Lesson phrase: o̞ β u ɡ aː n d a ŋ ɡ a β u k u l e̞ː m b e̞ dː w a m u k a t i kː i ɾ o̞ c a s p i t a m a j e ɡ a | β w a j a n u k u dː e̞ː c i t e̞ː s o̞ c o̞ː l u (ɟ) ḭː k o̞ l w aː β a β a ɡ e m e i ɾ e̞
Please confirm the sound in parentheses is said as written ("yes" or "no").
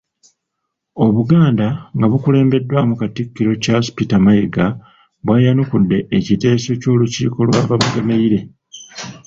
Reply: no